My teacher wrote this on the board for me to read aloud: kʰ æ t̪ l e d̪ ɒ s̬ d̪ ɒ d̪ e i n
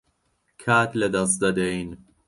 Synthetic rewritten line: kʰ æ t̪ l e d̪ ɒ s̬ d̪ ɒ d̪ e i n